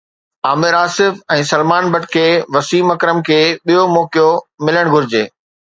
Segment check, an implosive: present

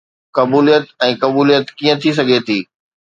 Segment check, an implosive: absent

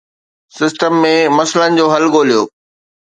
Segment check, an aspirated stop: absent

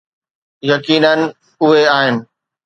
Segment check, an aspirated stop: absent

